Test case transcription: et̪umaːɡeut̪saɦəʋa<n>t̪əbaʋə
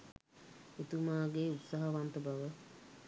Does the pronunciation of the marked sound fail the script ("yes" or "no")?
no